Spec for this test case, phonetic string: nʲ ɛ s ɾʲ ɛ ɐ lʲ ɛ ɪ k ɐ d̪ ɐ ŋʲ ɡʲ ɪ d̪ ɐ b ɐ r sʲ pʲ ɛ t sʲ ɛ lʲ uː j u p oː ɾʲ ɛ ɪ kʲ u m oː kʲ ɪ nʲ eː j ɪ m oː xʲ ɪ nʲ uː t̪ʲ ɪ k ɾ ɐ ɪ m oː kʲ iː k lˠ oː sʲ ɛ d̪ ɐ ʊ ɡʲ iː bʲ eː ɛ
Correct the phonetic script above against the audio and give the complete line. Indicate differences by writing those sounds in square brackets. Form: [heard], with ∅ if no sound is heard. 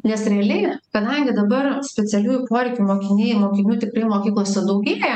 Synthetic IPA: nʲ ɛ s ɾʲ ɛ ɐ lʲ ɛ ɪ k ɐ d̪ ɐ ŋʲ ɡʲ ɪ d̪ ɐ b ɐ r sʲ pʲ ɛ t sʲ ɛ lʲ uː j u p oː ɾʲ ɛ ɪ kʲ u m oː kʲ ɪ nʲ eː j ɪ m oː [kʲ] ɪ nʲ uː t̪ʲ ɪ k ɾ ɐ ɪ m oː kʲ iː k lˠ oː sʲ ɛ d̪ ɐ ʊ ɡʲ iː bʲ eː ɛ